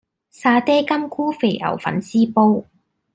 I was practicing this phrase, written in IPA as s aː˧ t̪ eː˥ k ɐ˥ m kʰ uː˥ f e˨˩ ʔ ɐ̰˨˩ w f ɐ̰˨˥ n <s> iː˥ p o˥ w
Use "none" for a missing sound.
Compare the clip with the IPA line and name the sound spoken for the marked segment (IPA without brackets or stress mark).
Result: s